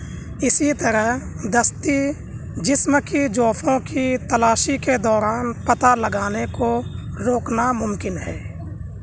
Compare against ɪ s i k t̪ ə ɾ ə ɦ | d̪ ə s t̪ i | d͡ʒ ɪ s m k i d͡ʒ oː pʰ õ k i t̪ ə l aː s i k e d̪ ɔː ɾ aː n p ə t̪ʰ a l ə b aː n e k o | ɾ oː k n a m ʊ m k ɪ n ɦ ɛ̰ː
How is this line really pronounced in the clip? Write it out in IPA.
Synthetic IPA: ɪ s i t̪ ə ɾ ə ɦ | d̪ ə s t̪ i | d͡ʒ ɪ s m k i d͡ʒ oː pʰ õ k i t̪ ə l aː ʃ i k e d̪ ɔː ɾ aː n p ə t̪ a l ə ɡ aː n e k o | ɾ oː k n a m ʊ m k ɪ n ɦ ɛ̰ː